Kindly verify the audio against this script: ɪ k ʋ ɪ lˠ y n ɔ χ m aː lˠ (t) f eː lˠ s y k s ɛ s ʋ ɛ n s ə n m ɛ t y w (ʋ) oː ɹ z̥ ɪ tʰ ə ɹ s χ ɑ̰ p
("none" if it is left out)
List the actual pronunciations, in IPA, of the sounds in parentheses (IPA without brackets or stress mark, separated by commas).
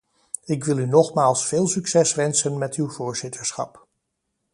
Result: s, v